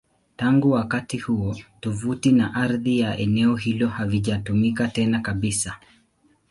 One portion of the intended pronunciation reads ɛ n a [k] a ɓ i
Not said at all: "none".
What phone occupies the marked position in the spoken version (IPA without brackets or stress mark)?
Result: k